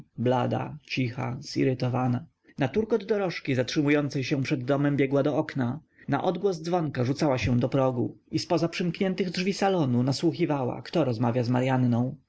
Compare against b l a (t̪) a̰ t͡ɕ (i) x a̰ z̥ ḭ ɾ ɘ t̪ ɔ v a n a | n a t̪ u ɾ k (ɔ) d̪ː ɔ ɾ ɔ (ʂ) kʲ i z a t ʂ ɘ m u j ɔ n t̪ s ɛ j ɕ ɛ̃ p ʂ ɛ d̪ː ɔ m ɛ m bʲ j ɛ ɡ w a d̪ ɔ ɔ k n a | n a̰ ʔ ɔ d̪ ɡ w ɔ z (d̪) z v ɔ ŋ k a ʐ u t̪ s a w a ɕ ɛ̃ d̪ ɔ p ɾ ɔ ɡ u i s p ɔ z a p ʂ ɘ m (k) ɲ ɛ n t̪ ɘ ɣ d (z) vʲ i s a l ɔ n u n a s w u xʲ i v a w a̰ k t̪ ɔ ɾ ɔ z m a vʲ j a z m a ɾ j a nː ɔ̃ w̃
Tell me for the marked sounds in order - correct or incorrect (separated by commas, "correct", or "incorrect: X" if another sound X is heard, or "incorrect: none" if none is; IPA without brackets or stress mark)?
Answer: incorrect: d̪, correct, correct, correct, correct, correct, incorrect: ʐ